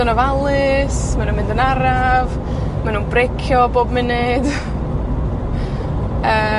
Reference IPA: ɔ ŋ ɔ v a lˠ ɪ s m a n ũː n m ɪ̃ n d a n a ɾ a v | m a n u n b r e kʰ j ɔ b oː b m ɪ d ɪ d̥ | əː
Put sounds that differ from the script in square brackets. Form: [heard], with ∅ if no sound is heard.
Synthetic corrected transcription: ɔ [n] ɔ v a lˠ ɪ s m a n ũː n m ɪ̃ n d [ə] n a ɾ a v | m a n u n b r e kʰ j ɔ b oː b m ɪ [n] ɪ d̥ | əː